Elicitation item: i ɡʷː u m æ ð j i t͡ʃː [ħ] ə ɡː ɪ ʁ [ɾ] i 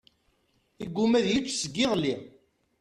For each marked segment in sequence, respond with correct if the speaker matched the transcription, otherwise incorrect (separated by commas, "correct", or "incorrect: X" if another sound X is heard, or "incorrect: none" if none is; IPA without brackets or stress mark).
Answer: incorrect: s, incorrect: l